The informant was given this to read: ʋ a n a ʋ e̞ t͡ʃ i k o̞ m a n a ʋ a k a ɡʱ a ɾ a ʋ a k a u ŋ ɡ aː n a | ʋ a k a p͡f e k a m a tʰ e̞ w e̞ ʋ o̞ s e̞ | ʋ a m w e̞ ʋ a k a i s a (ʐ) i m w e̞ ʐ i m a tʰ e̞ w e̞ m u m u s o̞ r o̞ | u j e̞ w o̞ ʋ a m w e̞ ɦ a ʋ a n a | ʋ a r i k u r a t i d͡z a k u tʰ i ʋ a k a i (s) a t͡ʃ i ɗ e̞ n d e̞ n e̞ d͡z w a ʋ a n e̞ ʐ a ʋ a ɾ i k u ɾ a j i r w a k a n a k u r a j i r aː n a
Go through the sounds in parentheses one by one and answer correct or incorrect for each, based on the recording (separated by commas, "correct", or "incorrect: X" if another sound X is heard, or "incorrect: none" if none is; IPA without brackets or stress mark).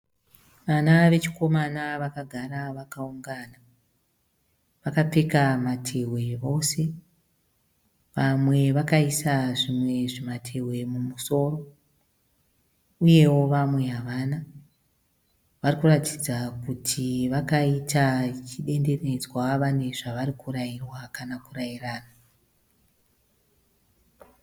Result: correct, incorrect: t